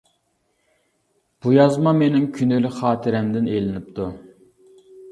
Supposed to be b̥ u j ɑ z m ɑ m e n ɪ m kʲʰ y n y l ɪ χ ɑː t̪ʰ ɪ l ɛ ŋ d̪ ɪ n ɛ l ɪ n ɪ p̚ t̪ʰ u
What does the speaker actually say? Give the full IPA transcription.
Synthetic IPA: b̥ u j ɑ z m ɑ m e n ɪ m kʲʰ y n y l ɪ χ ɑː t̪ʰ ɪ ɾ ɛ m d̪ ɪ n e l ɪ n ɪ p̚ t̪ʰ u